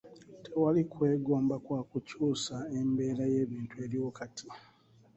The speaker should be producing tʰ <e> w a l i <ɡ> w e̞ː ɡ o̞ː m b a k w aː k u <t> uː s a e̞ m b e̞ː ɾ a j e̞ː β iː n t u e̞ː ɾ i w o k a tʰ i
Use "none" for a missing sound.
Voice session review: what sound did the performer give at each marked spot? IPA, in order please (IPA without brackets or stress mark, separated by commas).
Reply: e, k, c